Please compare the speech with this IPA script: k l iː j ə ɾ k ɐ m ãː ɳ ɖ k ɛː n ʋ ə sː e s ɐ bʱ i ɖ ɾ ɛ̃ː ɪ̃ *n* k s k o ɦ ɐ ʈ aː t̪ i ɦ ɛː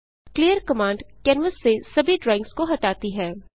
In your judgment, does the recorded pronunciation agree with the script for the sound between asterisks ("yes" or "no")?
no